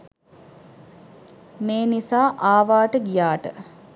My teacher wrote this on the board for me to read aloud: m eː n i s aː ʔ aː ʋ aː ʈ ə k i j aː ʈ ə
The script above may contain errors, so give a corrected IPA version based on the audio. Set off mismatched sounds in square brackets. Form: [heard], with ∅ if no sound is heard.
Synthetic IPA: m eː n i s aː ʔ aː ʋ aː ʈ ə [ɡ] i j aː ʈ ə